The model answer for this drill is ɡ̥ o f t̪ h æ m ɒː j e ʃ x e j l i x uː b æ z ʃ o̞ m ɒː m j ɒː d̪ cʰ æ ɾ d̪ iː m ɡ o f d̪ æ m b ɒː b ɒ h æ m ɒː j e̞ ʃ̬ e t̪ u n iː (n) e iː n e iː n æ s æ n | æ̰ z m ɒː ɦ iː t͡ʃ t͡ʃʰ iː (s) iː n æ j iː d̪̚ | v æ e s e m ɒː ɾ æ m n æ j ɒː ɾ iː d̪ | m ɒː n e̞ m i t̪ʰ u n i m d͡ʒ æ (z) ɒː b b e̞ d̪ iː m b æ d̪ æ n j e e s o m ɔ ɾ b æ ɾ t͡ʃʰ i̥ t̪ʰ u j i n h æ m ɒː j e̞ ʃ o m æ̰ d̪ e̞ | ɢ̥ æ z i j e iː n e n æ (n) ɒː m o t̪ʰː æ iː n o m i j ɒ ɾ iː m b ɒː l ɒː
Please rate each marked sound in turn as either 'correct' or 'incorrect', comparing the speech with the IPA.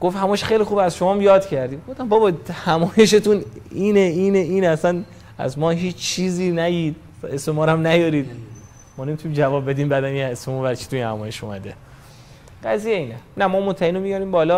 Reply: correct, incorrect: z, incorrect: v, incorrect: m

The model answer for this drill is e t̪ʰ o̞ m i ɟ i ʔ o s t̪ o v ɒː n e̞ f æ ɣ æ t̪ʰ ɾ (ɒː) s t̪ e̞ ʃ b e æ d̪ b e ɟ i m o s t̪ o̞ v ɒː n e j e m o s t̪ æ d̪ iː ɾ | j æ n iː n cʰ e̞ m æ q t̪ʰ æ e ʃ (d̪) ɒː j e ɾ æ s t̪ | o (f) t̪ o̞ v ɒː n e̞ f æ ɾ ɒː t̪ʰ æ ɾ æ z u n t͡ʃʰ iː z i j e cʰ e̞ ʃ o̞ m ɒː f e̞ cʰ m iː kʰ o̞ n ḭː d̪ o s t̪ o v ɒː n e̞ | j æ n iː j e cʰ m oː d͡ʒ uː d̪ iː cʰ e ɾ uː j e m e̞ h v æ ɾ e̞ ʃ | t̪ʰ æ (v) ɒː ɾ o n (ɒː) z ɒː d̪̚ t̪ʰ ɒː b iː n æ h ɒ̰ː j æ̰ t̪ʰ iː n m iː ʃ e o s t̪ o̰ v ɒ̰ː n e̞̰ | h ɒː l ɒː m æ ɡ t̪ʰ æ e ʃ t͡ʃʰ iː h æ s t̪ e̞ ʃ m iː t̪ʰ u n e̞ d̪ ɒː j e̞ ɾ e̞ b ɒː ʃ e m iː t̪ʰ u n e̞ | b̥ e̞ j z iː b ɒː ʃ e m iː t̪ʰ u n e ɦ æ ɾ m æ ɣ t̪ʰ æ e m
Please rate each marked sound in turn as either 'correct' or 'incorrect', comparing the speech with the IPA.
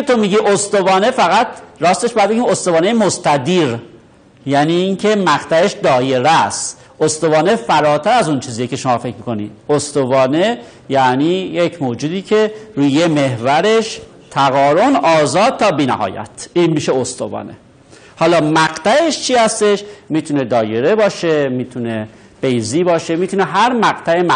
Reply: correct, correct, incorrect: s, incorrect: ɣ, correct

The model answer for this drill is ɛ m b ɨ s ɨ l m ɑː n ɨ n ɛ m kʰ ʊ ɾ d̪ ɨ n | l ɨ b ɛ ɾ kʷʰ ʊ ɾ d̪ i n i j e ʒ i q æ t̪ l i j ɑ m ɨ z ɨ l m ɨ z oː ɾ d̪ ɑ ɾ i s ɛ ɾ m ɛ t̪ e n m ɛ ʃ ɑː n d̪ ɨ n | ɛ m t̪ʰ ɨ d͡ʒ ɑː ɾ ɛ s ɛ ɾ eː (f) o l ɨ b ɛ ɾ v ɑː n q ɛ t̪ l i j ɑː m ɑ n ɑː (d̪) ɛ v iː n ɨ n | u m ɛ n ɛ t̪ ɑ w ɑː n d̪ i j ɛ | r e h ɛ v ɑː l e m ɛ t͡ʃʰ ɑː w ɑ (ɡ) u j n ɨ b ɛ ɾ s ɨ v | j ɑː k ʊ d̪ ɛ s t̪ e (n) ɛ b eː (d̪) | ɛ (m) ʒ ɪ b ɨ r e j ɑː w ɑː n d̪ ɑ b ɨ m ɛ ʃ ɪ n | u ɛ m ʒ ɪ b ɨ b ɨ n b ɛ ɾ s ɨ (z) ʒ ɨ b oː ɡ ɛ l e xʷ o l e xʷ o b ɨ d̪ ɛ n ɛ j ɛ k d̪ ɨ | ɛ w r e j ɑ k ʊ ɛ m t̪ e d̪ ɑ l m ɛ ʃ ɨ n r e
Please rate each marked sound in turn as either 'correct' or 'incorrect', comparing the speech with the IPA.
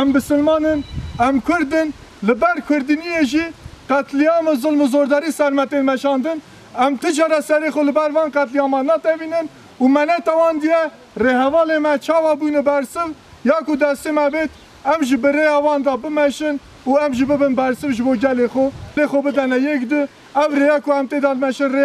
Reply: incorrect: x, incorrect: t̪, incorrect: b, incorrect: m, incorrect: t̪, correct, incorrect: v

